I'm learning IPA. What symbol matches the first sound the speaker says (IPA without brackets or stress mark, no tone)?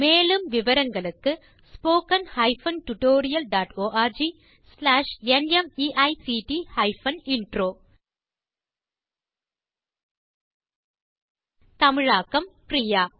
m